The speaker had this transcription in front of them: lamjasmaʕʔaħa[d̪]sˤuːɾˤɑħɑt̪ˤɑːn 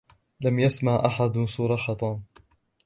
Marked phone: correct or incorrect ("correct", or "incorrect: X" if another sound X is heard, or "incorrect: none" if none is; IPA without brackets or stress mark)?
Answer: correct